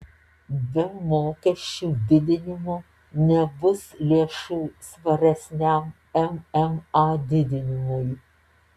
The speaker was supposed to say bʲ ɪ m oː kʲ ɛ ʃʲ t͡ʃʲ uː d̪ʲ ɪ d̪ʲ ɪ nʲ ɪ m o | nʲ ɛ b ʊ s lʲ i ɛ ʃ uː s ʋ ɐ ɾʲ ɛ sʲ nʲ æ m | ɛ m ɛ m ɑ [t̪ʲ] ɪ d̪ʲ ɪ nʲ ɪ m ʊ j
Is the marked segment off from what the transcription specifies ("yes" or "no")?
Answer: yes